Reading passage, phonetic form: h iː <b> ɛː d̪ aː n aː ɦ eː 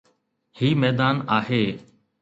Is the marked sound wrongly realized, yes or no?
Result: yes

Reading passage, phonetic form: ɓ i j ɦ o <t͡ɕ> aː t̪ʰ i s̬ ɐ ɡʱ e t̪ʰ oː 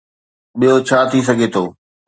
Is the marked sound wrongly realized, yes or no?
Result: yes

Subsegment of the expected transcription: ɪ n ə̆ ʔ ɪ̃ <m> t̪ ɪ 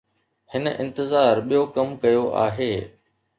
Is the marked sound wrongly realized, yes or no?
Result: yes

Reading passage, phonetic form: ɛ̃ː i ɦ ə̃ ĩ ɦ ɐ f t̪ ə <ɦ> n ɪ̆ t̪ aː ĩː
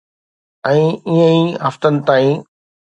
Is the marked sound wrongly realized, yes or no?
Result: yes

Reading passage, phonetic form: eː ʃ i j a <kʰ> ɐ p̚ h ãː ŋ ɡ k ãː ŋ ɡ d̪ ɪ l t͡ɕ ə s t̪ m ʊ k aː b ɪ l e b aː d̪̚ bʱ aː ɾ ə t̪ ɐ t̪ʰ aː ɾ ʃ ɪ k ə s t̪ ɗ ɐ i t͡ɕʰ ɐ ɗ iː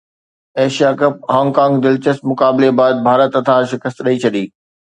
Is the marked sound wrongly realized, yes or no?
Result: yes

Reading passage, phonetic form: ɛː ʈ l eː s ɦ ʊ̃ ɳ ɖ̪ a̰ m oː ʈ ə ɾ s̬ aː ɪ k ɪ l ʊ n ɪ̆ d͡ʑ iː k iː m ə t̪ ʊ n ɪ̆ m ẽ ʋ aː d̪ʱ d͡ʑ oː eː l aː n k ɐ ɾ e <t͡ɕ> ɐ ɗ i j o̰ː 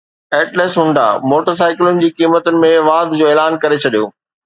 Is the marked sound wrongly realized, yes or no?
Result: yes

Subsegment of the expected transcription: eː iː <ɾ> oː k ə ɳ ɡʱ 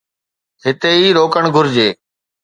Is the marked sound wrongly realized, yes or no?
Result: no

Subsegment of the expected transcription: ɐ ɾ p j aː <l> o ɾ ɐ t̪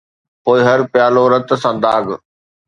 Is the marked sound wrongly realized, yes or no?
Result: no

